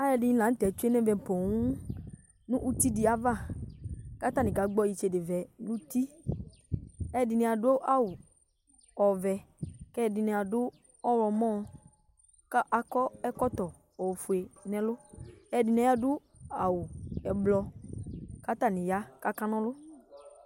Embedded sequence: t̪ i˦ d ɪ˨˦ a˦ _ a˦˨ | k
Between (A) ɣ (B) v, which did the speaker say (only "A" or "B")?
B